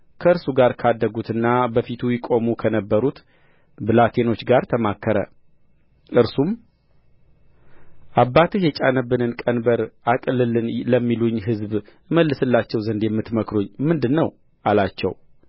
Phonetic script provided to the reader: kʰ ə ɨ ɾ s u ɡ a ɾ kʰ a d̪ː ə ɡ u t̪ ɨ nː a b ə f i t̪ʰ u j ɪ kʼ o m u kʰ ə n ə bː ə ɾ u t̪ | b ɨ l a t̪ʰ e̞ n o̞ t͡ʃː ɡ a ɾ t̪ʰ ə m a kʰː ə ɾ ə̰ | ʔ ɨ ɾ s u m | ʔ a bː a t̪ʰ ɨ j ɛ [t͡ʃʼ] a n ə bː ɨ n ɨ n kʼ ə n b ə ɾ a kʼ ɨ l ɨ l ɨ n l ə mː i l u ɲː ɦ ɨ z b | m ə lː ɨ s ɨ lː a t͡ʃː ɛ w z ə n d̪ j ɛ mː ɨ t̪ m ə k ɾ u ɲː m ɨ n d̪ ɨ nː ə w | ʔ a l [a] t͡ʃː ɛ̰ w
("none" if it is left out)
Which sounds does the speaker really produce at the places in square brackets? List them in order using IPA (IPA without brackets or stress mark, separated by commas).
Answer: t͡ʃʼ, a